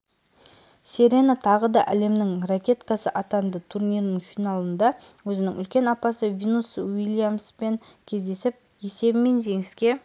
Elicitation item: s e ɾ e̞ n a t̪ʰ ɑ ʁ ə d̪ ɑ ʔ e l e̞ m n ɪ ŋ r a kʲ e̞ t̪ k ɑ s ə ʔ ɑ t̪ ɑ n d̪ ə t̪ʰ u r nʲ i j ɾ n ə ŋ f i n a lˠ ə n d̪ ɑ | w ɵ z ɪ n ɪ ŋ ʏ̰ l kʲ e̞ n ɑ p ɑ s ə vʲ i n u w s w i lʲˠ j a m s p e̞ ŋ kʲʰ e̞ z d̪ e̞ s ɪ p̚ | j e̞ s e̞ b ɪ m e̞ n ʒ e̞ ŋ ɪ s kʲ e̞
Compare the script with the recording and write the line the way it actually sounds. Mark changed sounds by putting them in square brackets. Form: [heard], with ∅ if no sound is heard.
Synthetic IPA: s e ɾ e̞ n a t̪ʰ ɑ ʁ ə d̪ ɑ ʔ [æ] l e̞ m n ɪ ŋ r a kʲ e̞ t̪ k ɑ s ə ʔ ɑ t̪ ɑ n d̪ ə t̪ʰ u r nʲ i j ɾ n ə ŋ f i n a lˠ ə n d̪ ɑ | w ɵ z ɪ n ɪ ŋ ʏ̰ l kʲ e̞ n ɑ p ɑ s ə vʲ i n u [∅] s w i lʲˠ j a m s p e̞ ŋ kʲʰ e̞ z d̪ e̞ s ɪ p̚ | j e̞ s e̞ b ɪ m e̞ n ʒ e̞ ŋ ɪ s kʲ e̞